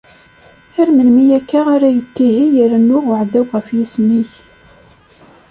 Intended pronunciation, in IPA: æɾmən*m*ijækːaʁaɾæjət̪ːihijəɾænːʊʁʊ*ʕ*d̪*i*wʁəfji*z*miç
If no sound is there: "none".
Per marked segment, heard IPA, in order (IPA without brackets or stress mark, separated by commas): m, ʕ, æ, s